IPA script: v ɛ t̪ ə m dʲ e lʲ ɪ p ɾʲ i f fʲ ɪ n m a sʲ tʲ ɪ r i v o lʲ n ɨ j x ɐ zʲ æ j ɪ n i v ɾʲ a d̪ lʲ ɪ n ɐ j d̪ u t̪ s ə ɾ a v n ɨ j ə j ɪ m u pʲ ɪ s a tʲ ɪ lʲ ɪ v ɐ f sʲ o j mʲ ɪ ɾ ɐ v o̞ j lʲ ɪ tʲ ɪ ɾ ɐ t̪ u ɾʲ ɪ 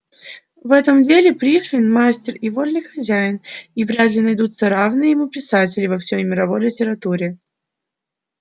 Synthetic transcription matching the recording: v ɛ t̪ ə m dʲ e lʲ ɪ p ɾʲ i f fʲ ɪ n m a sʲ tʲ ɪ r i v o lʲ n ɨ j x ɐ zʲ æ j ɪ n i v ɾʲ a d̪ lʲ ɪ n ɐ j d̪ u t̪ s ə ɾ a v n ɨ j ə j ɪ m u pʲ ɪ s a tʲ ɪ lʲ ɪ v ɐ f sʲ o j mʲ ɪ ɾ ɐ v o̞ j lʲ ɪ tʲ ɪ ɾ ɐ t̪ u ɾʲ ɪ